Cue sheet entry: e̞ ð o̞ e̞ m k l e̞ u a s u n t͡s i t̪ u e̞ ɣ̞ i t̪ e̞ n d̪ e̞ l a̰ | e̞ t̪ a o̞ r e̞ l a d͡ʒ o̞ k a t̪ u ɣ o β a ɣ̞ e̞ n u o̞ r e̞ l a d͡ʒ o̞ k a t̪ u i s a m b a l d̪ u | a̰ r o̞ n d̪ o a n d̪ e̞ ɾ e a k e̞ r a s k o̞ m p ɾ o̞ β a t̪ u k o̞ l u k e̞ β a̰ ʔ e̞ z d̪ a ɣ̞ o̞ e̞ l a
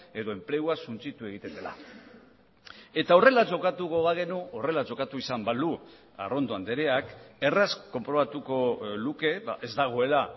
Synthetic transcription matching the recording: e̞ ð o̞ e̞ m p l e̞ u a s u n t͡s i t̪ u e̞ ɣ̞ i t̪ e̞ n d̪ e̞ l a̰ | e̞ t̪ a o̞ r e̞ l a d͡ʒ o̞ k a t̪ u ɣ o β a ɣ̞ e̞ n u o̞ r e̞ l a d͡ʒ o̞ k a t̪ u i s a m b a l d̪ u | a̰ r o̞ n d̪ o a n d̪ e̞ ɾ e a k e̞ r a s k o̞ m p ɾ o̞ β a t̪ u k o̞ l u k e̞ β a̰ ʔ e̞ z d̪ a ɣ̞ o̞ e̞ l a